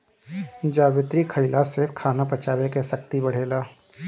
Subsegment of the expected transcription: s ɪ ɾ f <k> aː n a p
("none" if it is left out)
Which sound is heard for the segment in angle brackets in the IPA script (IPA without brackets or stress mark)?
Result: kʰ